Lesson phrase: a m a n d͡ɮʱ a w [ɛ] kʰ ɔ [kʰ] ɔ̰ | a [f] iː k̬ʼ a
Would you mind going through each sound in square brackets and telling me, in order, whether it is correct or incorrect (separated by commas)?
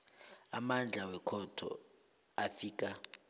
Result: correct, incorrect, correct